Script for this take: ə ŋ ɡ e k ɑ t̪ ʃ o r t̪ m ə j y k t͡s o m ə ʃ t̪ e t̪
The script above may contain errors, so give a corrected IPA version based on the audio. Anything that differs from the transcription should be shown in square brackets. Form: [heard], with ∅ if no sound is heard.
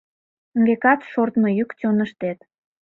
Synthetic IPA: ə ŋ ɡ e k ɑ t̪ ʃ o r t̪ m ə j y k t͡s o [n] ə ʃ t̪ e t̪

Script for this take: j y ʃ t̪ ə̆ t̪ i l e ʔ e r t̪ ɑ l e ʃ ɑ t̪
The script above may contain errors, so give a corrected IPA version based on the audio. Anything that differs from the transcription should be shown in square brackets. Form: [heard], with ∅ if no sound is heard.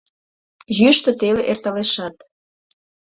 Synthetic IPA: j y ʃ t̪ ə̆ t̪ [e] l e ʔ e r t̪ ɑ l e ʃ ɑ t̪

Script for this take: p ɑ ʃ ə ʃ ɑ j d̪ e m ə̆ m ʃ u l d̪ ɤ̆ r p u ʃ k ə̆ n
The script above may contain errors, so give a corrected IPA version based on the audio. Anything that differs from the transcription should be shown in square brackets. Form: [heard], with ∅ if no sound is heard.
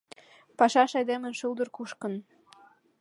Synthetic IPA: p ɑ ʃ [ɑ] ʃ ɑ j d̪ e m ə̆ [n] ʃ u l d̪ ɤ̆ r [k] u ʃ k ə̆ n

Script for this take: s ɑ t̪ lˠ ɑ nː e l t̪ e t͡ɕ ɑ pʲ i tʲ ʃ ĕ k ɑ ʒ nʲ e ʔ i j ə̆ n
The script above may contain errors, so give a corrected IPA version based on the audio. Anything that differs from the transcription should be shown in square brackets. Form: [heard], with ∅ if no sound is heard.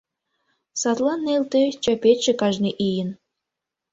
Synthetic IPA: s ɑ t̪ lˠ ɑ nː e l t̪ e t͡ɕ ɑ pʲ [e] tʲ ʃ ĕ k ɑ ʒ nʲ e ʔ i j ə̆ n

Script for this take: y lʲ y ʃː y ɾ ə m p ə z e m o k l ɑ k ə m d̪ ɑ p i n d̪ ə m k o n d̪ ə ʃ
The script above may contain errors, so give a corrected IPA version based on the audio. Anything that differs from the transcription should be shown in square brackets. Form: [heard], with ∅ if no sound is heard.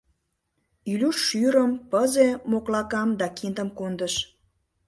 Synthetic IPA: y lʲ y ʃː y ɾ ə m p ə z e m o k l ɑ k [ɑ] m d̪ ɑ [k] i n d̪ ə m k o n d̪ ə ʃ

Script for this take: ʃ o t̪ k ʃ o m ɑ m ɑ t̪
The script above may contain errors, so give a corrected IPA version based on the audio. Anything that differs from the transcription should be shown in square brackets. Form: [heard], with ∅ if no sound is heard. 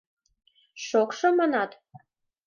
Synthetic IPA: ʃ o [∅] k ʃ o m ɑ [n] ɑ t̪

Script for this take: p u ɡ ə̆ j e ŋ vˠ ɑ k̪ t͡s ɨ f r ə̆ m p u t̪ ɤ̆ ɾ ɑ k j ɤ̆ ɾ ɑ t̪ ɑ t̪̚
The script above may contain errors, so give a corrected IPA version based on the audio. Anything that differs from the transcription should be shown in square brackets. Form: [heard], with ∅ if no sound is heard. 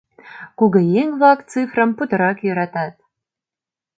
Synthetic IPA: [k] u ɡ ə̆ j e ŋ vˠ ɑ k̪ t͡s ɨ f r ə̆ m p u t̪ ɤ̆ ɾ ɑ k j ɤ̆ ɾ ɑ t̪ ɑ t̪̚

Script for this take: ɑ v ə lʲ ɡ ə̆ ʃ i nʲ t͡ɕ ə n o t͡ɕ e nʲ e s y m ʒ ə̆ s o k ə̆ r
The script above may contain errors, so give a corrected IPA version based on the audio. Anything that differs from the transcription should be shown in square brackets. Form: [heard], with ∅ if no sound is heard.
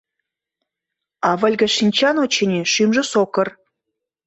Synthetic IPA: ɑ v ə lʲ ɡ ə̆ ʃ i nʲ t͡ɕ [ɑ] n o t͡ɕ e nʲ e [ʃ] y m ʒ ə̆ s o k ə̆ r

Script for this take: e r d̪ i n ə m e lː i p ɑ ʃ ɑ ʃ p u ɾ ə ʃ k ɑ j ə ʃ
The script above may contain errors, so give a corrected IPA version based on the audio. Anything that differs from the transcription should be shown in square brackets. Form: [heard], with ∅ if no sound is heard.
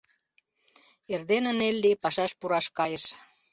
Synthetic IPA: e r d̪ [e] n ə [n] e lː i p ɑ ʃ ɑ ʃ p u ɾ [ɑ] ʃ k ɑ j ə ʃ

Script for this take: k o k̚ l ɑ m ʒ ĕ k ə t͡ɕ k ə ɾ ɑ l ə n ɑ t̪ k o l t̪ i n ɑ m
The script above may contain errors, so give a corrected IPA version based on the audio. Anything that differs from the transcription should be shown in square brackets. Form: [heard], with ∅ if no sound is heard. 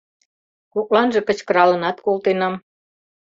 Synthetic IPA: k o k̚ l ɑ [n] ʒ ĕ k ə t͡ɕ k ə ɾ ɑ l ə n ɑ t̪ k o l t̪ [e] n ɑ m

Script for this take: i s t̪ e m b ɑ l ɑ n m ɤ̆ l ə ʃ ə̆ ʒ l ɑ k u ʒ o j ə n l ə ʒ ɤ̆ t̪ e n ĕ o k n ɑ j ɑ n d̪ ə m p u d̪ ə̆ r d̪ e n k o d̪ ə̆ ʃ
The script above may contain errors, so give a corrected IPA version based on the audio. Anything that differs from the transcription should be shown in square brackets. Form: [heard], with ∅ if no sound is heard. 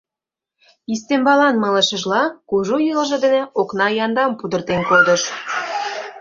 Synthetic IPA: i s t̪ e m b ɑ l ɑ n m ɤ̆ l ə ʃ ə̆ ʒ l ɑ k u ʒ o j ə [∅] l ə ʒ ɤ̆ [d̪] e n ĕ o k n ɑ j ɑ n d̪ [ɑ] m p u d̪ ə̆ r [t̪] e n k o d̪ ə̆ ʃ

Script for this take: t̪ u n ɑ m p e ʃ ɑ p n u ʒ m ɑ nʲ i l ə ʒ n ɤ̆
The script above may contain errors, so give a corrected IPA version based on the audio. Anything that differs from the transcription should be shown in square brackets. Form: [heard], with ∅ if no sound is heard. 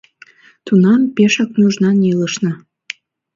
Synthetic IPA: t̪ u n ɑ m p e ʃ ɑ [k] n u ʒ [n] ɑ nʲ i l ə [ʃ] n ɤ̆

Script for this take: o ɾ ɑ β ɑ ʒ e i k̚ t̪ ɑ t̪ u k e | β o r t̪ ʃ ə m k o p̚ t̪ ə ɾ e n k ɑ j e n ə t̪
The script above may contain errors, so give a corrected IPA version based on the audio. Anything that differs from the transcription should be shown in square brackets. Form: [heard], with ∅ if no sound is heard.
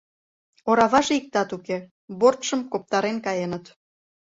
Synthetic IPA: o ɾ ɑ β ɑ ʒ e i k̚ t̪ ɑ t̪ u k e | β o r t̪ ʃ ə m k o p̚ t̪ [ɑ] ɾ e n k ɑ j e n ə t̪

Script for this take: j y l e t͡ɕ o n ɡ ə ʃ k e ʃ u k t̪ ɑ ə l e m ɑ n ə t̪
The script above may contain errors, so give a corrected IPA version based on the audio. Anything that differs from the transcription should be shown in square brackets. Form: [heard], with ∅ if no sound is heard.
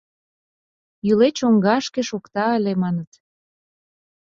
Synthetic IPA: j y l e t͡ɕ o [ŋ] ɡ [ɑ] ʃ k e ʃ [o] k t̪ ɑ ə l e m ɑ n ə t̪

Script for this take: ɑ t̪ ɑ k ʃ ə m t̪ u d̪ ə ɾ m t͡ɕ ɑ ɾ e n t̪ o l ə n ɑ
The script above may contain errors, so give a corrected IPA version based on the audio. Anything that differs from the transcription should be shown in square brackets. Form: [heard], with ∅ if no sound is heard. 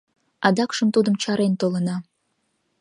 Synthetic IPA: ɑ [d̪] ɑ k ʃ ə m t̪ u d̪ ə [∅] m t͡ɕ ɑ ɾ e n t̪ o l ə n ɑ

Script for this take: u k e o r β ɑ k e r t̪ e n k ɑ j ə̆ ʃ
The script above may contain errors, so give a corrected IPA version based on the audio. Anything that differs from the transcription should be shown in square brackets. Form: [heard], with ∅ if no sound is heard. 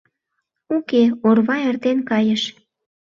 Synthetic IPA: u k e o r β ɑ [∅] e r t̪ e n k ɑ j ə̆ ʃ

